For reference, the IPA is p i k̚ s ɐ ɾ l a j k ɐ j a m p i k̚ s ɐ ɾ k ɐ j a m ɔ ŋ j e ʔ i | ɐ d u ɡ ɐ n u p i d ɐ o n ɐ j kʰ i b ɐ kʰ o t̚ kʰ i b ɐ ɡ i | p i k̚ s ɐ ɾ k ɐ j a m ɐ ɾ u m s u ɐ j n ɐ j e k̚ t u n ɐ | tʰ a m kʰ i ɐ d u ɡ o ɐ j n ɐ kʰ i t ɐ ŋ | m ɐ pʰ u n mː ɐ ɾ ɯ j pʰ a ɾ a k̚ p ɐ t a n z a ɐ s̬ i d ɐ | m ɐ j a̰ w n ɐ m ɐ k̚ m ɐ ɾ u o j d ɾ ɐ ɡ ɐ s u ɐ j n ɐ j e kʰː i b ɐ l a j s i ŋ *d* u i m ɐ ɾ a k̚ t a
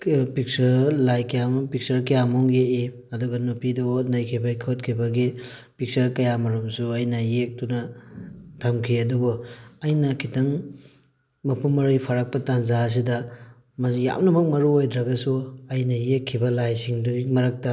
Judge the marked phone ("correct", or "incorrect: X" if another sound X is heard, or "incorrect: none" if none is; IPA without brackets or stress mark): correct